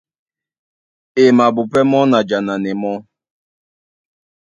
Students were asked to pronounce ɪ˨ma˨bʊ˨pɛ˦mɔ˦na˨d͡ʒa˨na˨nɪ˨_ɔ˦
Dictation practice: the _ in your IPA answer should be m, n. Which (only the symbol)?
m